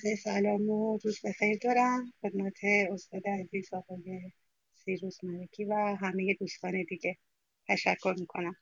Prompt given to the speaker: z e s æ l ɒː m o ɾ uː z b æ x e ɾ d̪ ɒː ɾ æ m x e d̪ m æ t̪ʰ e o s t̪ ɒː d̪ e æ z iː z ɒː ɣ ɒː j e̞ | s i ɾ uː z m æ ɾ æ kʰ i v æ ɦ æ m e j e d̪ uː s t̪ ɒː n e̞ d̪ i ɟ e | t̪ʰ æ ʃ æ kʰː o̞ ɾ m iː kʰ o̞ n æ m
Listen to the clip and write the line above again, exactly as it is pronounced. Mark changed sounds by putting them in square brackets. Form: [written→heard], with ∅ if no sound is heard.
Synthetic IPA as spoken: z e s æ l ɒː m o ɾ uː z b [æ→e] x e ɾ d̪ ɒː ɾ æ m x e d̪ m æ t̪ʰ e o s t̪ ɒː d̪ e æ z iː z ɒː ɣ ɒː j e̞ | s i ɾ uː z m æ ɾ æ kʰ i v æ ɦ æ m e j e d̪ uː s t̪ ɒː n e̞ d̪ i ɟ e | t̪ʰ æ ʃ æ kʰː o̞ ɾ m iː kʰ o̞ n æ m